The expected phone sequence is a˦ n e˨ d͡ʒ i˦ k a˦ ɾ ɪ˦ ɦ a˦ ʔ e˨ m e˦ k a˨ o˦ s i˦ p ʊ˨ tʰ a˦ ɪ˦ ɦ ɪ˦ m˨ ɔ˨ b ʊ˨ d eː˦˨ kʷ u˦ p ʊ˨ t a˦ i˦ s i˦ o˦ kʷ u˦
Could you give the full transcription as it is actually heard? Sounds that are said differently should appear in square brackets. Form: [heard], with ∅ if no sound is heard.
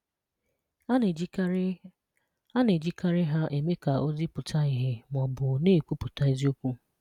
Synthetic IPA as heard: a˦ n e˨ d͡ʒ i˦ k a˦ ɾ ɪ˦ ɦ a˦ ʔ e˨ m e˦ k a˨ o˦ [z] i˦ p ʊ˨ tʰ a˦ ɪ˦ ɦ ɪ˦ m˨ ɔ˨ b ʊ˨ [n] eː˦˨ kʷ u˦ p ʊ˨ t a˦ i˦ [z] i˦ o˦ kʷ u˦